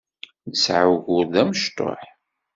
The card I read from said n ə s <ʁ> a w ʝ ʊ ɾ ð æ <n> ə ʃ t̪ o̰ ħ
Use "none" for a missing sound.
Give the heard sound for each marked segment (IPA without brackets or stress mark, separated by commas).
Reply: ʕ, m